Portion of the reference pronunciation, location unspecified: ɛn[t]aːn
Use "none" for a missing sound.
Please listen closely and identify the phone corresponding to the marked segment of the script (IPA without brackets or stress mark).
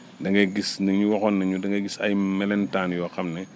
t